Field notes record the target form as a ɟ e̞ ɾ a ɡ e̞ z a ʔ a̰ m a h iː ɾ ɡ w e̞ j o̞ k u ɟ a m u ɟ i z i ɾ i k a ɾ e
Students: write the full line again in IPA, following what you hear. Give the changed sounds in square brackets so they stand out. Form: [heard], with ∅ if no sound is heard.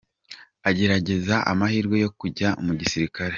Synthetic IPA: a ɟ e̞ ɾ a [ɟ] e̞ z a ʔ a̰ m a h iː ɾ ɡ w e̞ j o̞ k u ɟ a m u ɟ i [s] i ɾ i k a ɾ e